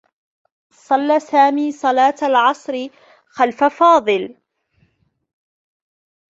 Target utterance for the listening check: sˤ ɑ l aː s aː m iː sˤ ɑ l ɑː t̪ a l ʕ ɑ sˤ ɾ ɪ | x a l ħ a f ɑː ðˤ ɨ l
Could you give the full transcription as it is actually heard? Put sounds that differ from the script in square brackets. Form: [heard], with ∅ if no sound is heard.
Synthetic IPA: sˤ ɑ [lː] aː s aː m iː sˤ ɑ l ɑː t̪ a l ʕ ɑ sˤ ɾ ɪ | x a l [f] a f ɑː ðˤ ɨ l